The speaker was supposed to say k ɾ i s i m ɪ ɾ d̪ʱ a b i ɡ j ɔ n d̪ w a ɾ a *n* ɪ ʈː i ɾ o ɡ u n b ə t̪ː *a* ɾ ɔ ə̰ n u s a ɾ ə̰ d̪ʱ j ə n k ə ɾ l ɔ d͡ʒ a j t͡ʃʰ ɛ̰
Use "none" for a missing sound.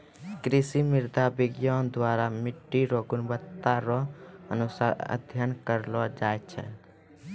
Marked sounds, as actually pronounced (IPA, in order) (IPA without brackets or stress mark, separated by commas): m, a